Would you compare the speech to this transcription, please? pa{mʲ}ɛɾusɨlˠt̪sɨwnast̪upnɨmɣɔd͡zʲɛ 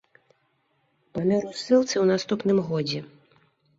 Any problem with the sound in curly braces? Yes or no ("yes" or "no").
no